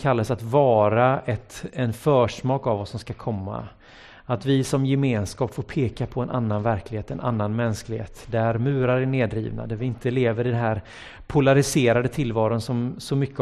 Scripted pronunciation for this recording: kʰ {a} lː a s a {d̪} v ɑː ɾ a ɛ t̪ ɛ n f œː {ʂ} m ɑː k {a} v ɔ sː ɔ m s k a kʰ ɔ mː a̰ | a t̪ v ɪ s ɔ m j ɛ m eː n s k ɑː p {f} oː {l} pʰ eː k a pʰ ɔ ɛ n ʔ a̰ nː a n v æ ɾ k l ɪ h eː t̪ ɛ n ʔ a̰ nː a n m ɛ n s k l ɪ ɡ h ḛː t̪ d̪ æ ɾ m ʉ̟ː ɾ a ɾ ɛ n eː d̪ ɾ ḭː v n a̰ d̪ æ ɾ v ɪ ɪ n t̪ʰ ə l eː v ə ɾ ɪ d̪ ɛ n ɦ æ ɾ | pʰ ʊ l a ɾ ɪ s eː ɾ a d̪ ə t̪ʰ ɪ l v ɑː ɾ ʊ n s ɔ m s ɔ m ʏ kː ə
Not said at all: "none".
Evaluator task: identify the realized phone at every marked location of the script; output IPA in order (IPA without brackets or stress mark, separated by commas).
a, t̪, ʂ, a, f, ɾ